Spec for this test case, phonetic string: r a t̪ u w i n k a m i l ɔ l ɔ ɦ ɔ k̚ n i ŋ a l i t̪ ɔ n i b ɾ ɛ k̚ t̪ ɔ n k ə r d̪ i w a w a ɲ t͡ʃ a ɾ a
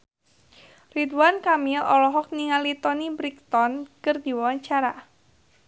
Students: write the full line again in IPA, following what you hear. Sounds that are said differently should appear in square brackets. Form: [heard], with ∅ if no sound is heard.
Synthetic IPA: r [i] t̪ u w [a] n k a m i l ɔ l ɔ ɦ ɔ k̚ n i ŋ a l i t̪ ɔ n i b ɾ [i] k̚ t̪ ɔ n k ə r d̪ i w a w a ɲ t͡ʃ a ɾ a